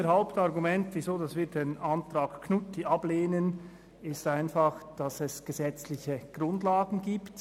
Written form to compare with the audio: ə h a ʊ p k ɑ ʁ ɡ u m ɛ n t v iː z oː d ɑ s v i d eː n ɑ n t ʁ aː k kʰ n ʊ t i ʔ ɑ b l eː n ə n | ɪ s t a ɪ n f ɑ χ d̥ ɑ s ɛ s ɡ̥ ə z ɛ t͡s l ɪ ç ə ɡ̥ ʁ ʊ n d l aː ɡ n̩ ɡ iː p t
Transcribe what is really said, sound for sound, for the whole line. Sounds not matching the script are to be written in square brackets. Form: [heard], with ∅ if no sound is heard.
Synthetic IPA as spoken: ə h a ʊ p [t] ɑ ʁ ɡ u m ɛ n t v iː z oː d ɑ s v [iː] d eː n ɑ n t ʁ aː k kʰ n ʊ t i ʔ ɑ b l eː n ə n | ɪ s t a ɪ n f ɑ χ d̥ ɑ s ɛ s ɡ̥ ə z ɛ t͡s l ɪ ç ə ɡ̥ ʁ ʊ n d l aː ɡ n̩ ɡ iː p t